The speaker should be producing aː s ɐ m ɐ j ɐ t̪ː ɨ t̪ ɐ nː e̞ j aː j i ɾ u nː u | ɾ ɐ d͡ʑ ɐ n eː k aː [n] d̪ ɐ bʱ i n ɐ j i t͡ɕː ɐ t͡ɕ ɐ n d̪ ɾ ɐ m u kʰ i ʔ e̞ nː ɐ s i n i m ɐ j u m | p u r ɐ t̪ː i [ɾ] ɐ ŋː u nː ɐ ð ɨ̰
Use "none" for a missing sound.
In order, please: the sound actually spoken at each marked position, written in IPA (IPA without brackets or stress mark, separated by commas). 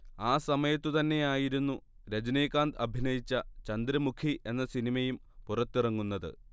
n, r